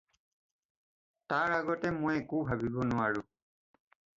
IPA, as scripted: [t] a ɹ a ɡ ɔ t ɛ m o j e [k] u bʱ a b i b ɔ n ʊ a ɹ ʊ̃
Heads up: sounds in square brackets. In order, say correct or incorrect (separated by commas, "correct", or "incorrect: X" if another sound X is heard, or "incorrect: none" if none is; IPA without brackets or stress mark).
correct, correct